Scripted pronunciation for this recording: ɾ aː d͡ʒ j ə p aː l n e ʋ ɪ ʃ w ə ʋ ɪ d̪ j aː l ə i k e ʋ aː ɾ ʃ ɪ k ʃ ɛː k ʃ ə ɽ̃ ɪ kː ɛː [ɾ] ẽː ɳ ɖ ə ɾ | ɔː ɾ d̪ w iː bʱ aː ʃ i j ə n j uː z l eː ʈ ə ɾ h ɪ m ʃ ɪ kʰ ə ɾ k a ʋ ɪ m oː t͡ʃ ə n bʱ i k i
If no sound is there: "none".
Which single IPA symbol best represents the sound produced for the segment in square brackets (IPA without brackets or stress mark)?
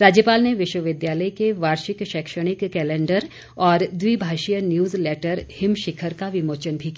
l